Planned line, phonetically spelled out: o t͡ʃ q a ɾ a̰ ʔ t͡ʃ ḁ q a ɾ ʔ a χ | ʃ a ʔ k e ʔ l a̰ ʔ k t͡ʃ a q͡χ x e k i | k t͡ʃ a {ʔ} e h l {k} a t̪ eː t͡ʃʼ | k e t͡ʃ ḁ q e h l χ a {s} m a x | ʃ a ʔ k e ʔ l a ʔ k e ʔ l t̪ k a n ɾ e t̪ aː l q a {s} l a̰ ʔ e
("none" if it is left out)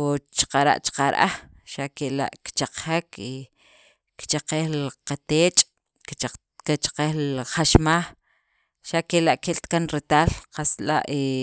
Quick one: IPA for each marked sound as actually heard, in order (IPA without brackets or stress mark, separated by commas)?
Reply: q, q, ʃ, s